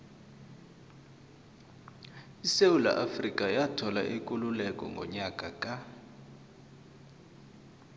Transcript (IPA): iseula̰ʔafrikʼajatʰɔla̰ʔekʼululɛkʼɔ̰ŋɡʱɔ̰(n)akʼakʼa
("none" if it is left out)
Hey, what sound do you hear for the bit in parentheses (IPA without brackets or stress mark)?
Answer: ɲ